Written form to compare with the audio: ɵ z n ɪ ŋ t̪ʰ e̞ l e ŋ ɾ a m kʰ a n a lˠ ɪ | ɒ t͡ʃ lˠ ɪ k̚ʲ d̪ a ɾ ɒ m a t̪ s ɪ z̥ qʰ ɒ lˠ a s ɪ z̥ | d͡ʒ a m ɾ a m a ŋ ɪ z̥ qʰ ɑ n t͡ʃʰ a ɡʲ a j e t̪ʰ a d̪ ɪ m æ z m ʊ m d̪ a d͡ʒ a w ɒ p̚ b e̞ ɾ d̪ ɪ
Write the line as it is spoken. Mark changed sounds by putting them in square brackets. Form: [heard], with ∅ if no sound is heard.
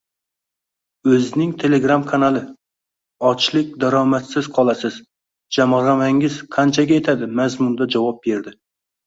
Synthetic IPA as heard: ɵ z n ɪ ŋ t̪ʰ e̞ l e [ɡ] ɾ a m kʰ a n a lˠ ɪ | ɒ t͡ʃ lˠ ɪ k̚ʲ d̪ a ɾ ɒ m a t̪ s ɪ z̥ qʰ ɒ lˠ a s ɪ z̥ | d͡ʒ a m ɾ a m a ŋ ɪ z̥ qʰ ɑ n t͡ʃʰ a ɡʲ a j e t̪ʰ a d̪ ɪ m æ z m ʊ [n] d̪ a d͡ʒ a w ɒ p̚ b e̞ ɾ d̪ ɪ